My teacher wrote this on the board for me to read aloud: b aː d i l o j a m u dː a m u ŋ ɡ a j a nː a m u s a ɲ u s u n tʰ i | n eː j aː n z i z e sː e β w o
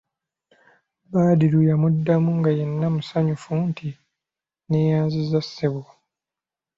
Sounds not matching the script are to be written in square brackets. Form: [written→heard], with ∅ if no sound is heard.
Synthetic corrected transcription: b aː d i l [o→u] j a m u dː a m u ŋ ɡ a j [a→e] nː a m u s a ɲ u [s→f] u n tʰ i | n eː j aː n z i z [e→a] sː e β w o